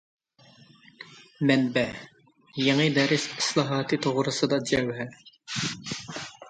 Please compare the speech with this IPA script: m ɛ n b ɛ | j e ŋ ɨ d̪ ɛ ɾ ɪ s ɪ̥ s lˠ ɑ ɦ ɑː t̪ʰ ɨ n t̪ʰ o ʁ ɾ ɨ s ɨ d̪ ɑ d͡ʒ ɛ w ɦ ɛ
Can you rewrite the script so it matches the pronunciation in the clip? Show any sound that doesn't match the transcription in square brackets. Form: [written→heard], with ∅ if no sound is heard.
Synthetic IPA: m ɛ n b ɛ | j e ŋ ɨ d̪ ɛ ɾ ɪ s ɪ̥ s lˠ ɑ ɦ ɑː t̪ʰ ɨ [n→∅] t̪ʰ o ʁ ɾ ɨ s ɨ d̪ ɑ d͡ʒ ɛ w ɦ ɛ

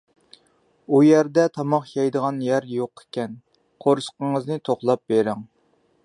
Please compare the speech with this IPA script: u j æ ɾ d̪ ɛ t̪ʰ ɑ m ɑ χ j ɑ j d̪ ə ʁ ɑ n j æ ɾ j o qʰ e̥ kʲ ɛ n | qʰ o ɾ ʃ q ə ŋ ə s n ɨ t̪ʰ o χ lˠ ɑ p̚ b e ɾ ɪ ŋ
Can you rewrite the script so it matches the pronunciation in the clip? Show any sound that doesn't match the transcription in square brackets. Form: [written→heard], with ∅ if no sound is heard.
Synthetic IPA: u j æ ɾ d̪ ɛ t̪ʰ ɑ m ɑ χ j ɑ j d̪ ə ʁ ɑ n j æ ɾ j o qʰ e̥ kʲ ɛ n | qʰ o ɾ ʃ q ə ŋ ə [s→z] n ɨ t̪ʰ o χ lˠ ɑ p̚ b e ɾ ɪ ŋ

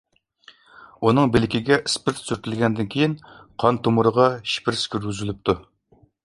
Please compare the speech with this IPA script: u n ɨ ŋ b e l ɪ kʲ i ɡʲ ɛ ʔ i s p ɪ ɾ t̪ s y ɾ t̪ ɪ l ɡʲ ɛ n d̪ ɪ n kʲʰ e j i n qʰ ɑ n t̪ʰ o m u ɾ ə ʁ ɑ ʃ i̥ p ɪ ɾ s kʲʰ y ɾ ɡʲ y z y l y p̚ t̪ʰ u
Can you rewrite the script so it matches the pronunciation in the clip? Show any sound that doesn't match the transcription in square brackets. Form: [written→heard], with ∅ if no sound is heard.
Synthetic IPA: u n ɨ ŋ b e l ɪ kʲ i ɡʲ ɛ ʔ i s p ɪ ɾ t̪ s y ɾ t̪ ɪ l ɡʲ ɛ n d̪ ɪ n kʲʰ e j i n qʰ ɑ n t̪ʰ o m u ɾ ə ʁ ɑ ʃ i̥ p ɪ ɾ s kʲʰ y ɾ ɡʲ y z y l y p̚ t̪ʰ u

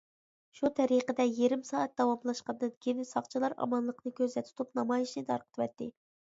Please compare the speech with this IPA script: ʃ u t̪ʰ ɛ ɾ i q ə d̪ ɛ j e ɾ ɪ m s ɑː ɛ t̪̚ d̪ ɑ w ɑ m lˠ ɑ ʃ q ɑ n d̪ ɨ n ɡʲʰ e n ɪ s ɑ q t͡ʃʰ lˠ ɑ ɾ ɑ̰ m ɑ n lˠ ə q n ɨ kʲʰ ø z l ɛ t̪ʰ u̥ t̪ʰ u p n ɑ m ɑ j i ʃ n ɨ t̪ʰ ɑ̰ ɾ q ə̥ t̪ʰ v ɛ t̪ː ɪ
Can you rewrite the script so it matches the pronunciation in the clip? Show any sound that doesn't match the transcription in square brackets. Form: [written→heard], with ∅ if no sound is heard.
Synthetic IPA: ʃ u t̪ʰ ɛ ɾ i q ə d̪ ɛ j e ɾ ɪ m s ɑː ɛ t̪̚ d̪ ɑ w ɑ m lˠ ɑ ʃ q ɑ n d̪ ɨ n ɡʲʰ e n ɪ s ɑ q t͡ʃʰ lˠ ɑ ɾ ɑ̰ m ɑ n lˠ ə q n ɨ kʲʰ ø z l ɛ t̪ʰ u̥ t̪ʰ u p n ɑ m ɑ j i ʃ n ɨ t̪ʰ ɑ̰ ɾ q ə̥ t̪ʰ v ɛ t̪ː ɪ

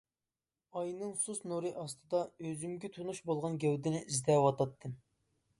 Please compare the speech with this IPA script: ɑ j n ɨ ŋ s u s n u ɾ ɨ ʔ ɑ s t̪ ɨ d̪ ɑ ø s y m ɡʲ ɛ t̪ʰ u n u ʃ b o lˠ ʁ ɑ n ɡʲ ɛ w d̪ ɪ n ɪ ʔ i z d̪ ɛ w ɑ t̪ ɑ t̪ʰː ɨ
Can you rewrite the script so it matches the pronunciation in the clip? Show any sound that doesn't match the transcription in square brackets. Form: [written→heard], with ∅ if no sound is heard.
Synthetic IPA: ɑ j n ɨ ŋ s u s n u ɾ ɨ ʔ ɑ s t̪ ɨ d̪ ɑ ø [s→z] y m ɡʲ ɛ t̪ʰ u n u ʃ b o lˠ ʁ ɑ n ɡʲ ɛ w d̪ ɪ n ɪ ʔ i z d̪ ɛ w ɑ t̪ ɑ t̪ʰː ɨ

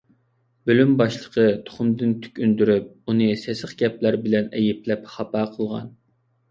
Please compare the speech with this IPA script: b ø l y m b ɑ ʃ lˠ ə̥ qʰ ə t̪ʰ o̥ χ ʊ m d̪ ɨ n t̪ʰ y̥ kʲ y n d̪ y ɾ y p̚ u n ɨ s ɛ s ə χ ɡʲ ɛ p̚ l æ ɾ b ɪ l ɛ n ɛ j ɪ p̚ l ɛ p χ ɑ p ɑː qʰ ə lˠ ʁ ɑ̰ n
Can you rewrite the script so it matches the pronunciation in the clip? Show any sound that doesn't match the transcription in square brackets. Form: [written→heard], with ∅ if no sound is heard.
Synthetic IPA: b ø l y m b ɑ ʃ lˠ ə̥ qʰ ə t̪ʰ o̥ χ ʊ m d̪ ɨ n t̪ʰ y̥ kʲ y n d̪ y ɾ y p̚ u n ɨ s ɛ s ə χ ɡʲ ɛ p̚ l æ ɾ b ɪ l ɛ n ɛ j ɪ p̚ l ɛ p χ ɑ p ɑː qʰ ə lˠ ʁ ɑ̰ n

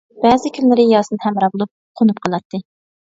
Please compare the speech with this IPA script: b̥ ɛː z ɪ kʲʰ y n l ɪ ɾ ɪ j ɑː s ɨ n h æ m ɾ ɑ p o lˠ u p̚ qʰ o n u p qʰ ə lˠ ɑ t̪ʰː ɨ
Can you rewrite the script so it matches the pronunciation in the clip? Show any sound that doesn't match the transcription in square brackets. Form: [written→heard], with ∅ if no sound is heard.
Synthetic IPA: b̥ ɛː z ɪ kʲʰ y n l ɪ ɾ ɪ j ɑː s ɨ n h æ m ɾ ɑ [p→b] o lˠ u p̚ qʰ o n u p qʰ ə lˠ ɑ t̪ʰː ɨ

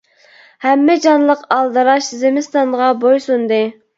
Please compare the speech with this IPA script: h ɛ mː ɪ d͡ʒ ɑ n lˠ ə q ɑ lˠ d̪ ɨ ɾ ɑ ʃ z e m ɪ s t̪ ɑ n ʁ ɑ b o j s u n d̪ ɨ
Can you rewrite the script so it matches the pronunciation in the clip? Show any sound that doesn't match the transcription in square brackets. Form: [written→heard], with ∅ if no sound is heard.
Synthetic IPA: h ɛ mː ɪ d͡ʒ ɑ n lˠ ə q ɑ lˠ d̪ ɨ ɾ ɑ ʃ z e m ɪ s t̪ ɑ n ʁ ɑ b o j s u n d̪ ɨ

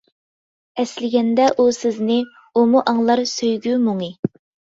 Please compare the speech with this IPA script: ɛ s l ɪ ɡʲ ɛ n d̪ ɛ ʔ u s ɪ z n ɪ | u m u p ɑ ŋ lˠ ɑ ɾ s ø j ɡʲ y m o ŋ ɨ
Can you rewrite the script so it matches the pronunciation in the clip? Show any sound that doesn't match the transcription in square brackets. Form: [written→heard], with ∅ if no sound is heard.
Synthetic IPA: ɛ s l ɪ ɡʲ ɛ n d̪ ɛ ʔ u s ɪ z n ɪ | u m u [p→ʔ] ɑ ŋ lˠ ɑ ɾ s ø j ɡʲ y m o ŋ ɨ

